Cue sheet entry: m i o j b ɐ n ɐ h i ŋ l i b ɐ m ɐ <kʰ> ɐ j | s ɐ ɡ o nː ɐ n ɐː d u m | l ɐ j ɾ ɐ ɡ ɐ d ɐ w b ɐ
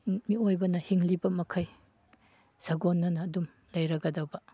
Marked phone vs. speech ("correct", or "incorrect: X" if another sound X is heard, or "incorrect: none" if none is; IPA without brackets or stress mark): correct